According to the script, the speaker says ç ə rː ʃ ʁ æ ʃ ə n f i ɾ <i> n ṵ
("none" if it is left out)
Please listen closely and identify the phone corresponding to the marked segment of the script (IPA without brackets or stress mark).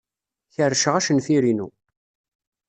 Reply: i